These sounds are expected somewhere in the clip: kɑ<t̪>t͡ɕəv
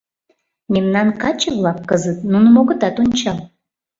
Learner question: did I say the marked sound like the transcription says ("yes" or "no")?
no